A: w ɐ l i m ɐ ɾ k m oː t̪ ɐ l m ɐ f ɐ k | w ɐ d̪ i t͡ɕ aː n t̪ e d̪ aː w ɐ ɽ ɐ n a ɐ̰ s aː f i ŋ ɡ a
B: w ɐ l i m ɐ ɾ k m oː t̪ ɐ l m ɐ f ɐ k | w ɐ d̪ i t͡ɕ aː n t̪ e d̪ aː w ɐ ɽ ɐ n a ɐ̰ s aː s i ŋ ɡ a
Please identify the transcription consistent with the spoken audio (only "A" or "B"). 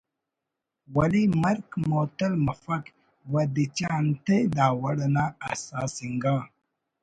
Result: B